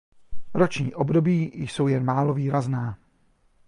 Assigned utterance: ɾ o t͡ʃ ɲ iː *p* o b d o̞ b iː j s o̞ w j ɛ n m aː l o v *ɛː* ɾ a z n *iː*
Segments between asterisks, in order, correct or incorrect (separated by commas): incorrect, incorrect, incorrect